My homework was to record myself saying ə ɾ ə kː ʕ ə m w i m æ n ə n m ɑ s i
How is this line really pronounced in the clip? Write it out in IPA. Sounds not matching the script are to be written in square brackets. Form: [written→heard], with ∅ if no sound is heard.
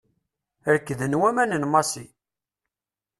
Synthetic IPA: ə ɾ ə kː [ʕ→ð] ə [m→n] w [i→æ] m æ n ə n m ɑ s i